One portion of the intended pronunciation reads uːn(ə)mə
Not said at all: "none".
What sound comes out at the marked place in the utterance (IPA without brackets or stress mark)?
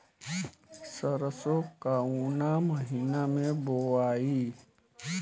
a